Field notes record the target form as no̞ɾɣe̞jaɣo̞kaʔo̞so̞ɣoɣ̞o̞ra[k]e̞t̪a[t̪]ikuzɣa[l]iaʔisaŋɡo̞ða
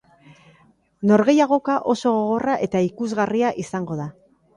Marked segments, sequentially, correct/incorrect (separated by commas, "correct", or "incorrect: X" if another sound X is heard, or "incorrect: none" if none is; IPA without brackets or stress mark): incorrect: ʔ, incorrect: none, incorrect: r